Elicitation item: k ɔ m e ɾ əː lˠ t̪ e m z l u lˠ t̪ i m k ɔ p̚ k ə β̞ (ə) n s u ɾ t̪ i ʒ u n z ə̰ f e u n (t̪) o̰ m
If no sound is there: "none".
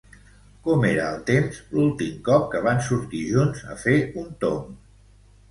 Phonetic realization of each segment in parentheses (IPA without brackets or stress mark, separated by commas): a, t̪